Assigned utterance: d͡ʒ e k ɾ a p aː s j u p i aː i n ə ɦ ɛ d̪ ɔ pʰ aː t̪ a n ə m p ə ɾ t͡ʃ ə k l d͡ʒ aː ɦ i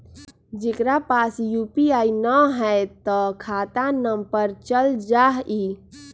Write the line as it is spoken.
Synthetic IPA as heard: d͡ʒ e k ɾ a p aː s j u p i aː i n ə ɦ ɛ t̪ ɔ kʰ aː t̪ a n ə m p ə ɾ t͡ʃ ə l d͡ʒ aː ɦ i

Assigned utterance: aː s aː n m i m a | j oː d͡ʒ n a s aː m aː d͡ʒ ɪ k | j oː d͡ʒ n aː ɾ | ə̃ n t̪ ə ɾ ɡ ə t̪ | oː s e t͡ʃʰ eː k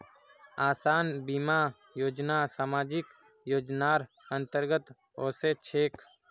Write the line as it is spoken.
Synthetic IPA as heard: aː s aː n b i m a | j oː d͡ʒ n a s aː m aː d͡ʒ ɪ k | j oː d͡ʒ n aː ɾ | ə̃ n t̪ ə ɾ ɡ ə t̪ | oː s e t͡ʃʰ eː k

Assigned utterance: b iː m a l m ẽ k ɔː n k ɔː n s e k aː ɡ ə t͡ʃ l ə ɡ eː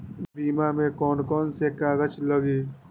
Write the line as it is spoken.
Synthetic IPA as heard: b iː m a m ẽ k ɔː n k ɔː n s e k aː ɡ ə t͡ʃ l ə ɡ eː

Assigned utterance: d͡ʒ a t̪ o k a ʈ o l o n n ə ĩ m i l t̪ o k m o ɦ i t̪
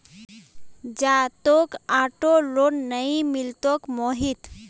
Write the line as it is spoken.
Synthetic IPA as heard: d͡ʒ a t̪ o k a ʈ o l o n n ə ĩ m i l t̪ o k m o ɦ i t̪

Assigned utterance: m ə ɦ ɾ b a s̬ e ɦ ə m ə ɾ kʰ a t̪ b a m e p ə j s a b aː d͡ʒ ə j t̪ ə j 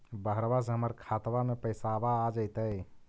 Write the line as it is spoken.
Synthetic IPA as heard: b ə ɦ ɾ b a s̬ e ɦ ə m ə ɾ kʰ a t̪ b a m e p ə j s a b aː d͡ʒ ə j t̪ ə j

